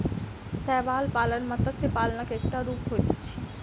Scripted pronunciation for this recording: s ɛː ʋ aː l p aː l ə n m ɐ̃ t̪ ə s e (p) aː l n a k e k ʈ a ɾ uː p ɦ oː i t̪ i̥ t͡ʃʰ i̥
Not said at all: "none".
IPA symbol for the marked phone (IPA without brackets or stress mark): p